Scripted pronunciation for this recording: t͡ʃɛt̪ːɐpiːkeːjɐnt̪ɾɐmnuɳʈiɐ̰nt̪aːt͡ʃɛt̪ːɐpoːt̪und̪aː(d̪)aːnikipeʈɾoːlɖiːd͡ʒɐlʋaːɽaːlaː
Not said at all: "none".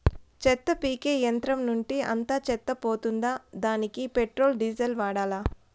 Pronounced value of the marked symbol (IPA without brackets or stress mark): d̪